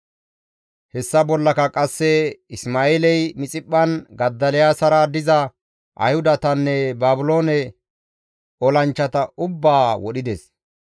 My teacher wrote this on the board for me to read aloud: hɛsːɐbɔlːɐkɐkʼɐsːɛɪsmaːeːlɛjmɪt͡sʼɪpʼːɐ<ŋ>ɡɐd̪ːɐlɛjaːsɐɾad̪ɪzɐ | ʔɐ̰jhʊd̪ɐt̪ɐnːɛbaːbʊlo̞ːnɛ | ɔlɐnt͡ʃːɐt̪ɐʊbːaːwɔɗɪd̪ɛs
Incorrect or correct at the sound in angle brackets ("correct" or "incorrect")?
incorrect